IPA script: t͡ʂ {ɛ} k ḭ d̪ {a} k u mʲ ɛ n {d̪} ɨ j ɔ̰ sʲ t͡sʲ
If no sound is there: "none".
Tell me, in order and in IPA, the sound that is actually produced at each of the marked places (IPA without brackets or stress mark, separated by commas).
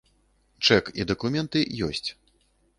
ɛ, ɐ, t̪